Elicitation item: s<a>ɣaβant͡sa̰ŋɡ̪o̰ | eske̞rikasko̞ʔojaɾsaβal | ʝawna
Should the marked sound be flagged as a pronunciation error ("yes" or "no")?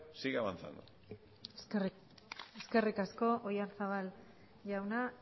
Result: yes